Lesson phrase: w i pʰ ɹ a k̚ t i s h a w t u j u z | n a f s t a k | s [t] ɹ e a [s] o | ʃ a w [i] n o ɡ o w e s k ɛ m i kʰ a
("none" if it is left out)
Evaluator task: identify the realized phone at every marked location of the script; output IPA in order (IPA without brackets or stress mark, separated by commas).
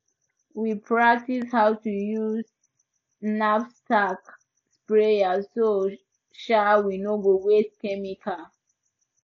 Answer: p, s, i